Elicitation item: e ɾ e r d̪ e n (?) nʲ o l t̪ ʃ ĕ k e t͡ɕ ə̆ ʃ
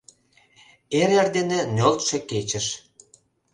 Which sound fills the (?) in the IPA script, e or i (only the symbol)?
e